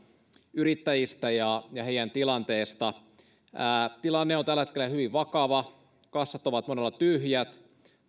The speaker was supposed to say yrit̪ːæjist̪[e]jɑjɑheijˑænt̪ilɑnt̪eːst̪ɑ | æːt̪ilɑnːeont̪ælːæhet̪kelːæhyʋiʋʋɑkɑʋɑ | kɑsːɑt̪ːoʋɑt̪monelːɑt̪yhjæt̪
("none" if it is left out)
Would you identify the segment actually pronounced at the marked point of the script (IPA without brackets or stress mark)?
æ